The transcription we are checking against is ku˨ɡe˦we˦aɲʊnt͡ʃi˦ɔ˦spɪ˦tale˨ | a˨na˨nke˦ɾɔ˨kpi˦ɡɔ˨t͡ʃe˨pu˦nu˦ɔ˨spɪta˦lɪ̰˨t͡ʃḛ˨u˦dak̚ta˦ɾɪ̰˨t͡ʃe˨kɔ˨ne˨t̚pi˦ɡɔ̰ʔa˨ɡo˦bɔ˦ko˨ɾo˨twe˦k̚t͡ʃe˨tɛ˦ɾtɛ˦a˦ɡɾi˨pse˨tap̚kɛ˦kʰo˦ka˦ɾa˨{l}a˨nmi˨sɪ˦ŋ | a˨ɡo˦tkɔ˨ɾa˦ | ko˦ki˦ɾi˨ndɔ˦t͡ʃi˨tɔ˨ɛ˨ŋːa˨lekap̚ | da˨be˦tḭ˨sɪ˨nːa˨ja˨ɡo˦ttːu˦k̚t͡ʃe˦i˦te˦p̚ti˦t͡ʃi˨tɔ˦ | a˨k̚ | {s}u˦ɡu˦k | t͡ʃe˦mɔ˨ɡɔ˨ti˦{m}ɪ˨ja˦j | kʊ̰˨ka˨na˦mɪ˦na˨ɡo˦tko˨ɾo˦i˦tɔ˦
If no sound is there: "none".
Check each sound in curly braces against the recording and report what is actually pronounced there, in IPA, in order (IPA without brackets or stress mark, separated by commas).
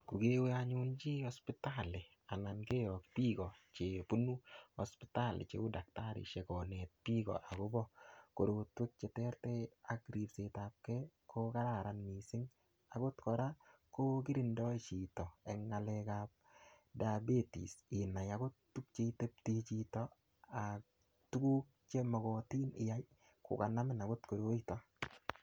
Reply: ɾ, t, n